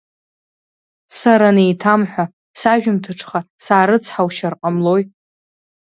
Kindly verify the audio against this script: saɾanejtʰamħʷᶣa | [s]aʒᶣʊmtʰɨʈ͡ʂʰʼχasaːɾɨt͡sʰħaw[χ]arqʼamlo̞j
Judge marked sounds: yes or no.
yes, no

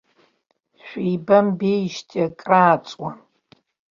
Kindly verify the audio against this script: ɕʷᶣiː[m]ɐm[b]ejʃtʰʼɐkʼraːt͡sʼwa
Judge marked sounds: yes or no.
no, yes

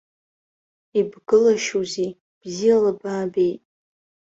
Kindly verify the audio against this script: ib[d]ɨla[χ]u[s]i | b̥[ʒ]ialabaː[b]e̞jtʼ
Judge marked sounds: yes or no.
no, no, no, no, yes

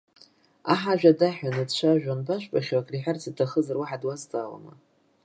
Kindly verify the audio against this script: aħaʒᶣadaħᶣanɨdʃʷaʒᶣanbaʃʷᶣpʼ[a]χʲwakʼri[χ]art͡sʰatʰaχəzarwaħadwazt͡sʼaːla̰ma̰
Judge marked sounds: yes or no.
yes, no

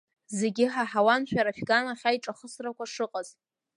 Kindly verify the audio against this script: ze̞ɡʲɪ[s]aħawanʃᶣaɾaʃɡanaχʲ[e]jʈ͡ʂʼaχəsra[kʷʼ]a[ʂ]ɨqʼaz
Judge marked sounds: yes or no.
no, no, no, yes

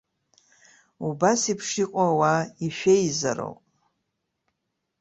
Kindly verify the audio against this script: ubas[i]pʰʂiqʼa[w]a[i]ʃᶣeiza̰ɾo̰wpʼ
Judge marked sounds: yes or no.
yes, yes, yes

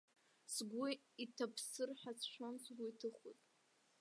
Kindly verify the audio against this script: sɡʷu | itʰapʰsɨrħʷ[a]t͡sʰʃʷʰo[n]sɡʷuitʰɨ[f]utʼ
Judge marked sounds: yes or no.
yes, yes, no

